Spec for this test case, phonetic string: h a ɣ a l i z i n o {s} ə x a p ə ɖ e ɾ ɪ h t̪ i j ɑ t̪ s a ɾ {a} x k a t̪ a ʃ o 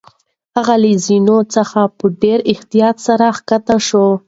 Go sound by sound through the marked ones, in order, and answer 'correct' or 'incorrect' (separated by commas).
incorrect, correct